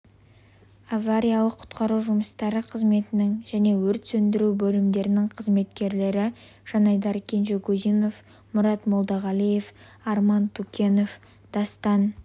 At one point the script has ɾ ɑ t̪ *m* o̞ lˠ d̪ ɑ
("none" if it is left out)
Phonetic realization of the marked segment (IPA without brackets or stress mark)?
m